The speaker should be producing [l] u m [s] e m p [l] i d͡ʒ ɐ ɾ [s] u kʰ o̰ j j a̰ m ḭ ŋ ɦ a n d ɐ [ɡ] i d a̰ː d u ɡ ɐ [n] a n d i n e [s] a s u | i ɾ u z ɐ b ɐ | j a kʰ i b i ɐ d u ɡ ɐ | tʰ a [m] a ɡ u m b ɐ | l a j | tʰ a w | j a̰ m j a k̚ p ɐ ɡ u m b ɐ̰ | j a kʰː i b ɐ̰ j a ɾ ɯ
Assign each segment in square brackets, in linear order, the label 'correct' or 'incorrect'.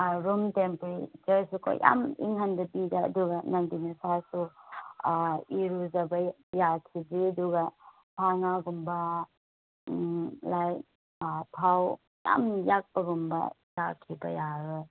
incorrect: ɾ, incorrect: t, incorrect: ɾ, correct, incorrect: b, correct, correct, incorrect: ŋ

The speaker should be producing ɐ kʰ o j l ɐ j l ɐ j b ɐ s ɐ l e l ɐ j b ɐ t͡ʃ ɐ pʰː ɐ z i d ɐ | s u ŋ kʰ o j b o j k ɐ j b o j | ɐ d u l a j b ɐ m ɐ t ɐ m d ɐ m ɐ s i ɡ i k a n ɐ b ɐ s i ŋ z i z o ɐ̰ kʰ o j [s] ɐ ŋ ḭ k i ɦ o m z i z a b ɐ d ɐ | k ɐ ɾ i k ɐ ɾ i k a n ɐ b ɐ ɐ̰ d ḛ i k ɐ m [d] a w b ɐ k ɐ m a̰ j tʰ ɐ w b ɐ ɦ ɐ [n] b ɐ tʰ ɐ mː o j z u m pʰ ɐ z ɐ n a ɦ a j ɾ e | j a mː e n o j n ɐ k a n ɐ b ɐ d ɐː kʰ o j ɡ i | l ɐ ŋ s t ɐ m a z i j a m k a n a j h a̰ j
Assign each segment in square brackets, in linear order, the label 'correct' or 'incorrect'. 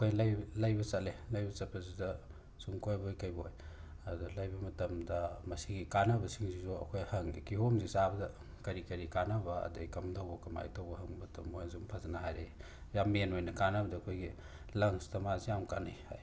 incorrect: h, correct, incorrect: ŋ

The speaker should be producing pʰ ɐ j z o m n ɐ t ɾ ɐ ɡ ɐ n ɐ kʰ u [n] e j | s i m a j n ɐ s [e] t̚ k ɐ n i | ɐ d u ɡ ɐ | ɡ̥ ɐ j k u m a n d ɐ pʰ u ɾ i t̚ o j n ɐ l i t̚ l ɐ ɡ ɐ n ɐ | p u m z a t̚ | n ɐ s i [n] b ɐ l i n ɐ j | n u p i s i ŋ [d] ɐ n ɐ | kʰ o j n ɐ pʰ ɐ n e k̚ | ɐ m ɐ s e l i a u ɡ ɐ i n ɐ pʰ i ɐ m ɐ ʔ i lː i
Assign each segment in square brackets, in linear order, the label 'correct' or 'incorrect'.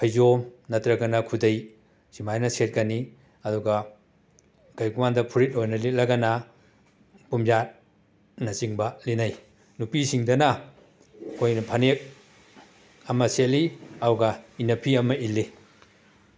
incorrect: d, correct, incorrect: ŋ, correct

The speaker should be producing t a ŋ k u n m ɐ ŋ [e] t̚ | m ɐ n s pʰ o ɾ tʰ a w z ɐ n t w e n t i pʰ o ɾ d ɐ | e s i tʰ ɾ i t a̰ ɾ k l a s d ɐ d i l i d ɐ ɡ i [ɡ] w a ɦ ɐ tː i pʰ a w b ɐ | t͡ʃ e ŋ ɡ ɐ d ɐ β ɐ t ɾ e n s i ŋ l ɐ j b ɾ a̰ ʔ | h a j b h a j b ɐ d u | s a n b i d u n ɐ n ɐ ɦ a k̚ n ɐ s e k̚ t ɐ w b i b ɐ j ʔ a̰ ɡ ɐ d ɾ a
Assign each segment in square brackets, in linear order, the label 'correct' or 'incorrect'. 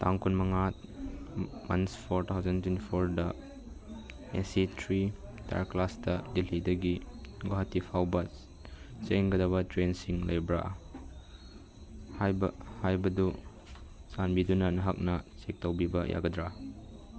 incorrect: a, correct

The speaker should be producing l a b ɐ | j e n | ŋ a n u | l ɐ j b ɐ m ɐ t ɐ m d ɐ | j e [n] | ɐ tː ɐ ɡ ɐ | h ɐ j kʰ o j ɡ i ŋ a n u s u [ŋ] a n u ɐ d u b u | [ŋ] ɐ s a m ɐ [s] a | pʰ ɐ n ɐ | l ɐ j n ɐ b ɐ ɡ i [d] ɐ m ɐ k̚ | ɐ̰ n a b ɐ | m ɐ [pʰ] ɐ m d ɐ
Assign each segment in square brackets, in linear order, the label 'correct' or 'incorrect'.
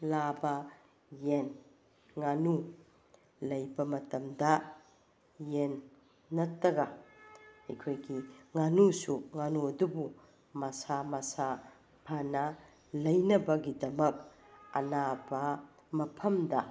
incorrect: nː, correct, incorrect: m, correct, correct, correct

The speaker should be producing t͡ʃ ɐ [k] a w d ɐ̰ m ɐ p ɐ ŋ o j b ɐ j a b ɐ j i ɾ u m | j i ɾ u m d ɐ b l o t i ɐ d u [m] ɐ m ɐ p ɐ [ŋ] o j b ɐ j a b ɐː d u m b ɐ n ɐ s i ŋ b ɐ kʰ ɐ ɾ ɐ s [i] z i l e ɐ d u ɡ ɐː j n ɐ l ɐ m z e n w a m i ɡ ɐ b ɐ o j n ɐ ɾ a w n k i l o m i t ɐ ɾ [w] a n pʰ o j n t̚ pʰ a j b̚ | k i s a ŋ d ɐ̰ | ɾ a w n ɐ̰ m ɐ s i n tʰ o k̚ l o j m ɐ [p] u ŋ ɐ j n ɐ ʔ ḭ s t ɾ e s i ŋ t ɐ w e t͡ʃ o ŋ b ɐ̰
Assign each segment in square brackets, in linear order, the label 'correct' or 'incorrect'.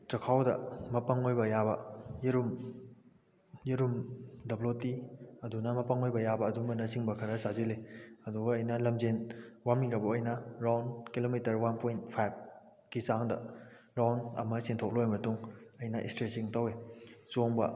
incorrect: kʰ, incorrect: n, correct, incorrect: a, correct, incorrect: t

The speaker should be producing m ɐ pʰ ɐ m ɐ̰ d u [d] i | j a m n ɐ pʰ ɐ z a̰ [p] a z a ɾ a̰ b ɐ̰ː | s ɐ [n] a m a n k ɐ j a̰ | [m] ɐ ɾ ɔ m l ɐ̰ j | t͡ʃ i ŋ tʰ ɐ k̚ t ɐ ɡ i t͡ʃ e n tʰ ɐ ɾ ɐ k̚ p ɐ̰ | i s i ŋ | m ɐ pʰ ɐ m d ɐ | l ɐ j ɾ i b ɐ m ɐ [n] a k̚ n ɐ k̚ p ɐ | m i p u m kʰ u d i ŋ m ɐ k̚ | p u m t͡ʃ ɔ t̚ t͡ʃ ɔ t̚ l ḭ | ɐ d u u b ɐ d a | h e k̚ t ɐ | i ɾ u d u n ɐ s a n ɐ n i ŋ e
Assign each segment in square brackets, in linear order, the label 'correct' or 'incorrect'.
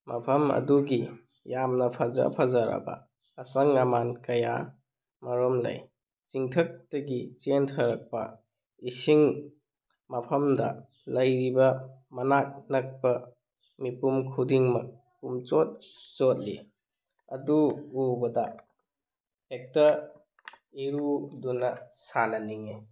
incorrect: ɡ, incorrect: pʰ, incorrect: ŋ, correct, correct

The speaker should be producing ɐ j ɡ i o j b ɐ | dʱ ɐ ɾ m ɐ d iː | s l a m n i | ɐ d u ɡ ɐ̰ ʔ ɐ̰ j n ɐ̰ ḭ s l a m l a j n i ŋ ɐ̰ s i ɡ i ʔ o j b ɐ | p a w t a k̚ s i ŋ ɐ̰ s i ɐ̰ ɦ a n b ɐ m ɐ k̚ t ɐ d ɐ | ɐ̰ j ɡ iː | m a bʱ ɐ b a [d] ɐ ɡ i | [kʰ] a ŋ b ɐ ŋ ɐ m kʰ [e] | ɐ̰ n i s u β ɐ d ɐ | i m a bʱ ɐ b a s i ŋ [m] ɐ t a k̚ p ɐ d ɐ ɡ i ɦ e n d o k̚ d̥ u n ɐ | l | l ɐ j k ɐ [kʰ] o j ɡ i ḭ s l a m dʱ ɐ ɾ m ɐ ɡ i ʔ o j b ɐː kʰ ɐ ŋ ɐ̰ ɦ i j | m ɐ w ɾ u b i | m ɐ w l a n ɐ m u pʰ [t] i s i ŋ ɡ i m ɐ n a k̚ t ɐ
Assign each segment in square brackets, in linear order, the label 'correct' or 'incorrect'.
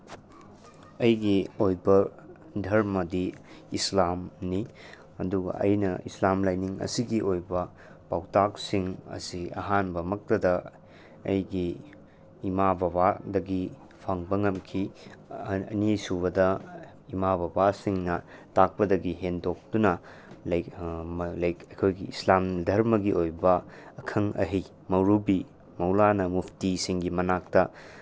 correct, incorrect: pʰ, incorrect: i, incorrect: n, correct, correct

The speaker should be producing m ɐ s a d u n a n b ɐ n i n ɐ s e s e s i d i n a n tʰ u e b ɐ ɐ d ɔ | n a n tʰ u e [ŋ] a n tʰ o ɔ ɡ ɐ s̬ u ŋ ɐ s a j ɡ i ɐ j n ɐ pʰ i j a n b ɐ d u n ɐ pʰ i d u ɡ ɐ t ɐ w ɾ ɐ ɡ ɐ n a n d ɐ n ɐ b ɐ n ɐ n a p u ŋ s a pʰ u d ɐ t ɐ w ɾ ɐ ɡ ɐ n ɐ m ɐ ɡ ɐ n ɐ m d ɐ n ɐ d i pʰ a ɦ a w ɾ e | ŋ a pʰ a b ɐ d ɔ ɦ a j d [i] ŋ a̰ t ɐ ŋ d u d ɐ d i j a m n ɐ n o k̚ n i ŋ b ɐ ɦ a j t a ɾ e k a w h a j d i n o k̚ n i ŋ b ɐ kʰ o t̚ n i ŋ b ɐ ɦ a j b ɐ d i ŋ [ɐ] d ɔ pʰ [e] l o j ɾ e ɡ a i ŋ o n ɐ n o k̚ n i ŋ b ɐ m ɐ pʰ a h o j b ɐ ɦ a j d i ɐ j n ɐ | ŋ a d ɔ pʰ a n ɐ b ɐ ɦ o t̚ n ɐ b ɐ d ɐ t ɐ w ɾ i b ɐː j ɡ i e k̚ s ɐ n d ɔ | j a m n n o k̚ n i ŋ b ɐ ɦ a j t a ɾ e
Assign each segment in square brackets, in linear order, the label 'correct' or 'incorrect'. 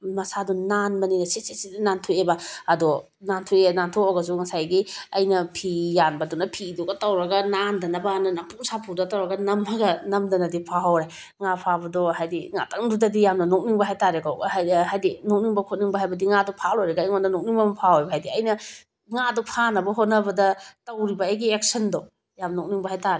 incorrect: n, correct, incorrect: a, incorrect: a

